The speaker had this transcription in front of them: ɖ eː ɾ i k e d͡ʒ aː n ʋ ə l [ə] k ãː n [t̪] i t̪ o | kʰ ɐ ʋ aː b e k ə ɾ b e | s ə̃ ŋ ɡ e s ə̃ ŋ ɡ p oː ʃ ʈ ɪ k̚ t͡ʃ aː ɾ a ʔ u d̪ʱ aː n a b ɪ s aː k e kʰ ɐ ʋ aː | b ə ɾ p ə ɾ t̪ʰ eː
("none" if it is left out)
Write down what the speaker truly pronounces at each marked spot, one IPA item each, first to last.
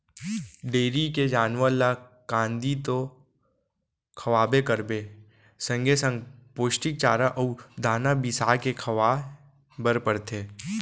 a, d̪

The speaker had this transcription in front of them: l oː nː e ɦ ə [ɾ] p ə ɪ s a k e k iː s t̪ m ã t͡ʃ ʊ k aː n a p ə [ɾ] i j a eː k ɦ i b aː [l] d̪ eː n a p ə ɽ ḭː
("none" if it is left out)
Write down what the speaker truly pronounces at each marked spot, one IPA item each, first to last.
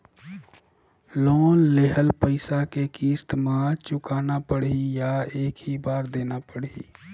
l, ɽ, ɾ

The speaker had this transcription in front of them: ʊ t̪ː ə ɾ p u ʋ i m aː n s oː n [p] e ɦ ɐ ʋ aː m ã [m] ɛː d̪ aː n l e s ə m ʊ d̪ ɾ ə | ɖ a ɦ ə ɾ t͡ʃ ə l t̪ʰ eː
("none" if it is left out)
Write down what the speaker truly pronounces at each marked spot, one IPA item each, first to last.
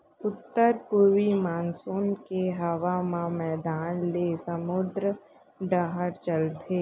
k, m

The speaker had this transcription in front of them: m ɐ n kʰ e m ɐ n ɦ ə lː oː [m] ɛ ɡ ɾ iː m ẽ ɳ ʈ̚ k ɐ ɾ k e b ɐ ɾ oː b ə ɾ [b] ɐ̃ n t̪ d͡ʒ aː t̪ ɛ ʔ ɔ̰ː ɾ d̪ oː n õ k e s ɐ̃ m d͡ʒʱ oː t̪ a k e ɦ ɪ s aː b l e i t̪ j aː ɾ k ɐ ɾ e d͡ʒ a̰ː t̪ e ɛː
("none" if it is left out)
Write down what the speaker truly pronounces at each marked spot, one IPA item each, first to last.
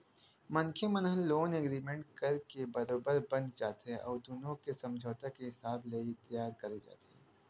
n, b

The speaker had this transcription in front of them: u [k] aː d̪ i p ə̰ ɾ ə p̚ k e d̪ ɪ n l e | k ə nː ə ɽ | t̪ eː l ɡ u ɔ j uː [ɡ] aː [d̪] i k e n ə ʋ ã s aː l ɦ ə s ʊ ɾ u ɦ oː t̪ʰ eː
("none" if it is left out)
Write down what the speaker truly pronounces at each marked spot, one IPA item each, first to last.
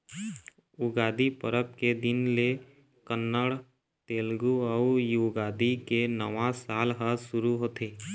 ɡ, ɡ, d̪

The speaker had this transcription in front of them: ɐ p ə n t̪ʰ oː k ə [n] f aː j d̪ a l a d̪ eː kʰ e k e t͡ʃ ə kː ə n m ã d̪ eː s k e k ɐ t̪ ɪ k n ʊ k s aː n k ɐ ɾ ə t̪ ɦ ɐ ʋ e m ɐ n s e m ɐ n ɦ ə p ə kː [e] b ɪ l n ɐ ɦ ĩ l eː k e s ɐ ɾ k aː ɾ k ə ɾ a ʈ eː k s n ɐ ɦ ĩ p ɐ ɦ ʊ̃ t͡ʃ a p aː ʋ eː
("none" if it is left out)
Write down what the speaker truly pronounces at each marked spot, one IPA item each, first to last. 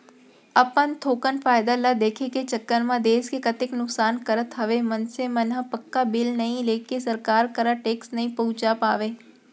n, a

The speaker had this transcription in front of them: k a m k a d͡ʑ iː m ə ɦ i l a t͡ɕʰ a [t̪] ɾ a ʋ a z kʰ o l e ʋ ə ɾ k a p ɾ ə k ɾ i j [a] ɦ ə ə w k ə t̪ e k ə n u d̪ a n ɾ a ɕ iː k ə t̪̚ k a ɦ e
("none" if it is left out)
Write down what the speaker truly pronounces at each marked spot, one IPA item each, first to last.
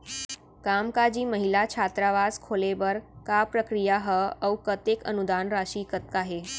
t̪, a

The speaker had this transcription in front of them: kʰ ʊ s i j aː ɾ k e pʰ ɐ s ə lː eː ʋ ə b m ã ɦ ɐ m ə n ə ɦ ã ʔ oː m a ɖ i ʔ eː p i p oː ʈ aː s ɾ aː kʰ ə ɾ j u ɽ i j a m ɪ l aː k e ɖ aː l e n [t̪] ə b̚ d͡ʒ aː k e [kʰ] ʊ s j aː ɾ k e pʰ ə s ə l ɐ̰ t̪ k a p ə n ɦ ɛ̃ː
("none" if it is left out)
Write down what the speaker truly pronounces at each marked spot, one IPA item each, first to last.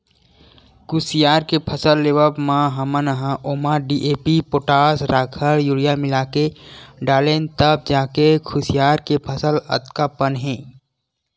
t̪, kʰ

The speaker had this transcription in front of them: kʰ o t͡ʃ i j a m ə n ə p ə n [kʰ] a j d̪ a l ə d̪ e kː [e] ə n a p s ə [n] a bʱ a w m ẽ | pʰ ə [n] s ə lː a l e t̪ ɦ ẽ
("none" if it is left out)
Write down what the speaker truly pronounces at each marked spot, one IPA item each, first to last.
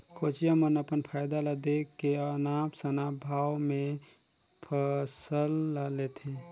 pʰ, e, n, none

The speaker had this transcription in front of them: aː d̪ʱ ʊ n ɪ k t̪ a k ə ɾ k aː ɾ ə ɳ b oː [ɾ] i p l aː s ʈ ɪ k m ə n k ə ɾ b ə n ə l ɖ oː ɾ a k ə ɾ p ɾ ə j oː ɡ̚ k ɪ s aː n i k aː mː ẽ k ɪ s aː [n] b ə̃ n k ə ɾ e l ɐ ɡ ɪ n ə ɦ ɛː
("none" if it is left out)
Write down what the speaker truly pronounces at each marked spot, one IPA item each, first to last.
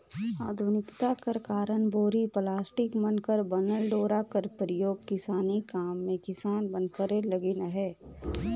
ɾ, n

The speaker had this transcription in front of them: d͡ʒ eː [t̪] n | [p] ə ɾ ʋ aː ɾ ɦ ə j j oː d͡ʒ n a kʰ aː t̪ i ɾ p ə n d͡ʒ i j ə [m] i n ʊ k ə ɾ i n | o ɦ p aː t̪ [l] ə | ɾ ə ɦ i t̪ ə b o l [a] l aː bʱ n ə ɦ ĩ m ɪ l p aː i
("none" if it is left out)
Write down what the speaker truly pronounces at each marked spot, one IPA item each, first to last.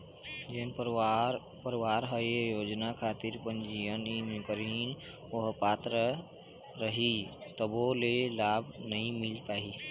none, p, n, ɾ, e

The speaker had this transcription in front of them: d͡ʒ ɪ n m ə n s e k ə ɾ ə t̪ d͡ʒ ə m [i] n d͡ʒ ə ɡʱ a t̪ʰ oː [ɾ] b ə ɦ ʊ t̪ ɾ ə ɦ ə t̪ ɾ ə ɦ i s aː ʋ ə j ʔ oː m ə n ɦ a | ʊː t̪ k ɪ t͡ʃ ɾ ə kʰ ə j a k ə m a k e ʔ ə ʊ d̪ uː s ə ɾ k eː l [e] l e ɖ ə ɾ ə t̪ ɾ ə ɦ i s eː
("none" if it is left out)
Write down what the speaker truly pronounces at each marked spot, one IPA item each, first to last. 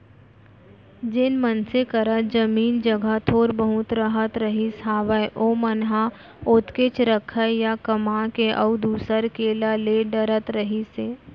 iː, ɾ, a

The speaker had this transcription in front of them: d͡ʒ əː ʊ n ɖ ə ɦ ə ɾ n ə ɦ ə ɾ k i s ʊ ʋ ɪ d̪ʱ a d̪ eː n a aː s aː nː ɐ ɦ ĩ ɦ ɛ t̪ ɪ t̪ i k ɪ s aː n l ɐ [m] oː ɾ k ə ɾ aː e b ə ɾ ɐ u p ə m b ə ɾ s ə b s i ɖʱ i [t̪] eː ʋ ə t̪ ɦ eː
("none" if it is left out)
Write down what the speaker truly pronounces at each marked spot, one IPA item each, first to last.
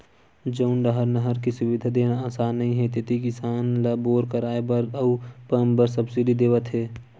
b, d̪

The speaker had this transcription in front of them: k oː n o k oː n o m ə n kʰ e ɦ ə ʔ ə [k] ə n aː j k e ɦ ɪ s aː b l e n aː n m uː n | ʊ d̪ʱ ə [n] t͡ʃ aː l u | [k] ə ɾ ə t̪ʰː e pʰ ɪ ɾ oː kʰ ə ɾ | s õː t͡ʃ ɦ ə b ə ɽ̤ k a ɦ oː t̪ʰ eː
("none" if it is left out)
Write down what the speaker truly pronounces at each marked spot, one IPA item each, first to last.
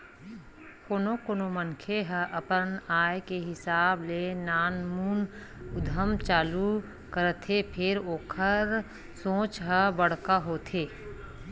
p, m, k

